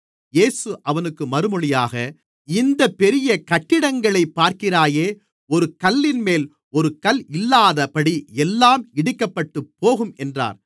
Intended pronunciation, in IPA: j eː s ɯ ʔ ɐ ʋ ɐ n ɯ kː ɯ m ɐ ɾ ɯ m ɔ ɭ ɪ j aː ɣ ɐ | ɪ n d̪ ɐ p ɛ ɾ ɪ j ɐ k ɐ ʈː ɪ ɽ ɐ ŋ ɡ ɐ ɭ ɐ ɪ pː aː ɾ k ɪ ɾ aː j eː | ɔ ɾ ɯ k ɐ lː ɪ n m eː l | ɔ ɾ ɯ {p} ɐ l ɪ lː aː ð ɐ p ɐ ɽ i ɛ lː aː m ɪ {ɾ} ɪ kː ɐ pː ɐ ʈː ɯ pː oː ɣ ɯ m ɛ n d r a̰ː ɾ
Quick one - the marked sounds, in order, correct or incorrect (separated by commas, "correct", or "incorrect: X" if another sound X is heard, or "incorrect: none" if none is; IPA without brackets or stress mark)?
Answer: incorrect: k, incorrect: ɽ